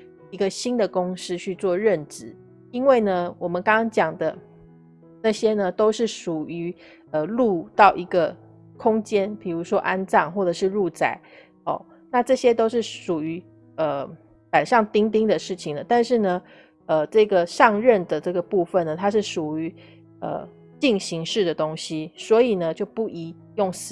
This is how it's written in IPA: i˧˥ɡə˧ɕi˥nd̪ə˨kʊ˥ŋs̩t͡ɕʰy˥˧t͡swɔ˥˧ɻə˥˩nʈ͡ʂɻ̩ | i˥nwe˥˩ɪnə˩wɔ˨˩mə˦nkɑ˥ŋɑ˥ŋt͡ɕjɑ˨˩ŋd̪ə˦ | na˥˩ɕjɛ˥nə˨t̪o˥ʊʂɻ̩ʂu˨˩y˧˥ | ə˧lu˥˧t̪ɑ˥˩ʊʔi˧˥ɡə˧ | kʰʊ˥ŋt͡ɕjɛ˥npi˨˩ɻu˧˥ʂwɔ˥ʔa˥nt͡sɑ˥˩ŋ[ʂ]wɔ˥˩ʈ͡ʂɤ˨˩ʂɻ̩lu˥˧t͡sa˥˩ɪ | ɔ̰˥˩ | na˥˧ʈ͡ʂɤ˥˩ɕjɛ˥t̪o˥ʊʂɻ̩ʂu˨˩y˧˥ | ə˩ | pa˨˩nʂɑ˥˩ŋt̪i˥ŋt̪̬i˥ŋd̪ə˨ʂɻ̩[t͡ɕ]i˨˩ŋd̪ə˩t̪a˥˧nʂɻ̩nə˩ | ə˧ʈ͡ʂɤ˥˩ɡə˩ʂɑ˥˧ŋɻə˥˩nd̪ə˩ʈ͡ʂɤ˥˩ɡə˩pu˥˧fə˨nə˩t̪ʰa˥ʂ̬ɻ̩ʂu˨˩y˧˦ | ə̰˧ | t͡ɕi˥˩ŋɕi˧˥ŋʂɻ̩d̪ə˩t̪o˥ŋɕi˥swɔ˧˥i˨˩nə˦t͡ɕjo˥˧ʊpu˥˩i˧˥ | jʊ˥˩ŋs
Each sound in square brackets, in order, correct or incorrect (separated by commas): incorrect, incorrect